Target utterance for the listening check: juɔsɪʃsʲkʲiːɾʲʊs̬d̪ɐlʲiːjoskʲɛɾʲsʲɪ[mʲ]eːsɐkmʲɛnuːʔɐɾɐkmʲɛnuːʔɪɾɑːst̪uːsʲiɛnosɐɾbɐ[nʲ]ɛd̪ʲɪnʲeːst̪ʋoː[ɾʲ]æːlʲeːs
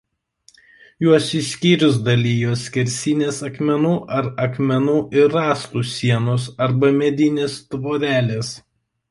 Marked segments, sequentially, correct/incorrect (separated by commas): incorrect, incorrect, correct